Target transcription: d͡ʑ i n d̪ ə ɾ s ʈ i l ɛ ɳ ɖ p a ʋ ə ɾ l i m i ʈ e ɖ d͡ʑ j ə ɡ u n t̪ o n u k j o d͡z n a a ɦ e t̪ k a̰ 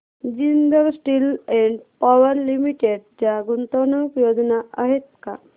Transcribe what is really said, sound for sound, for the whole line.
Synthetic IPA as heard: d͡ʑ i n d̪ ə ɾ s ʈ i l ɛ ɳ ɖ p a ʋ ə ɾ l i m i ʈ e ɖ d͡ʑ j a ɡ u n t̪ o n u k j o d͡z n a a ɦ e t̪ k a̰